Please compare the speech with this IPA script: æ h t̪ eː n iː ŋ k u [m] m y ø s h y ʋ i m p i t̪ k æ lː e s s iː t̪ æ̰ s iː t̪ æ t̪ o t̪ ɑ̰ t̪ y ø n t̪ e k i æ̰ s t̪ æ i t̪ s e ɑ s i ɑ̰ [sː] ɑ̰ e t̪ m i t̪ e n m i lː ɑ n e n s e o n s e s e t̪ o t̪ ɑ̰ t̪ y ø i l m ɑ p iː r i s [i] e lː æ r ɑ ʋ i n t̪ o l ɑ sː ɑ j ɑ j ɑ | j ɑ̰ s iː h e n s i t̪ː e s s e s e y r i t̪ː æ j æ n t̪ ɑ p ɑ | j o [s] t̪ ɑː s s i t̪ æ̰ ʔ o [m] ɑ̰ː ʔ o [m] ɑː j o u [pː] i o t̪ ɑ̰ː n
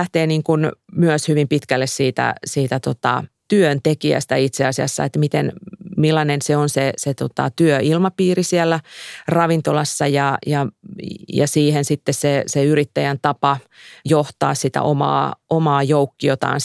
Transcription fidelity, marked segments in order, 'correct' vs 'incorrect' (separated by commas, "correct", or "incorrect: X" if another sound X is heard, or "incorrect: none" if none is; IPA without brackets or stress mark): incorrect: n, correct, correct, incorrect: h, correct, correct, incorrect: kː